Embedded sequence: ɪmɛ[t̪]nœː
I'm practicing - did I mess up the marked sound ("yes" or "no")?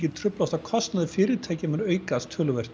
yes